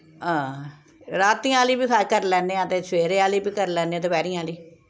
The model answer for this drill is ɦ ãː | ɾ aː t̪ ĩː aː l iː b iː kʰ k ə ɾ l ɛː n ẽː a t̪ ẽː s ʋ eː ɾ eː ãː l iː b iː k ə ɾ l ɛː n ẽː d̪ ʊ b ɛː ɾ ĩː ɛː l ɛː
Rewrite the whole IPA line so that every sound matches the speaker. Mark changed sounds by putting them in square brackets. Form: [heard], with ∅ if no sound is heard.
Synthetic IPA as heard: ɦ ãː | ɾ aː t̪ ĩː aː l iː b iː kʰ k ə ɾ l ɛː n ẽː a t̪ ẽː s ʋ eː ɾ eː [aː] l iː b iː k ə ɾ l ɛː n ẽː d̪ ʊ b ɛː ɾ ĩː [aː] l [iː]